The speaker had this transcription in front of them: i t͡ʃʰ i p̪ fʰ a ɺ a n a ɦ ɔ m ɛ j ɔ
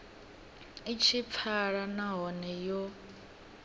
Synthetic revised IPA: i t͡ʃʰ i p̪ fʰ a ɺ a n a ɦ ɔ n ɛ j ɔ